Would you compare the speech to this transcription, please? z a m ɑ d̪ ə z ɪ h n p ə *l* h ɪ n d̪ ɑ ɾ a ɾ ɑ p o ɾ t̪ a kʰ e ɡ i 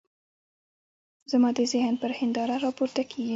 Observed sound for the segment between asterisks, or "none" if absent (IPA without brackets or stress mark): ɾ